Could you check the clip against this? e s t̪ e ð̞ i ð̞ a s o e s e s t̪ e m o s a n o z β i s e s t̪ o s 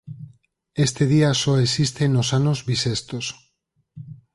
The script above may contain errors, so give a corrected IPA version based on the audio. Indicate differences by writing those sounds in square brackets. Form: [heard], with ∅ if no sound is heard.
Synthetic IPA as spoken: e s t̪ e ð̞ i [∅] a s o e s [i] s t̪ e [n] o s a n o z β i s e s t̪ o s